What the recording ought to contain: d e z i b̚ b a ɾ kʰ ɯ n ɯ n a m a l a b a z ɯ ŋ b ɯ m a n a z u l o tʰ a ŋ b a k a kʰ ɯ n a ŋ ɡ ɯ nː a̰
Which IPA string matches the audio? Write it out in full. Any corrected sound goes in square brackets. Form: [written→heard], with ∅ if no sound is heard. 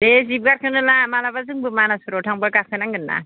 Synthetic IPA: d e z i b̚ [b→ɡ] a ɾ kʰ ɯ n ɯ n a m a l a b a z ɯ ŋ b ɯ m a n a [z→s] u [l→ɾ] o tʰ a ŋ b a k a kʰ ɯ n a ŋ ɡ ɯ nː a̰